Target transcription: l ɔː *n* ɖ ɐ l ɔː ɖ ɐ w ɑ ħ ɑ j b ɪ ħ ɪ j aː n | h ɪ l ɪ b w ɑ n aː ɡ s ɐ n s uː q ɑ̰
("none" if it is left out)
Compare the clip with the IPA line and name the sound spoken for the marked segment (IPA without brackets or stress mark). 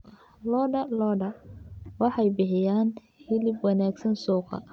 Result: none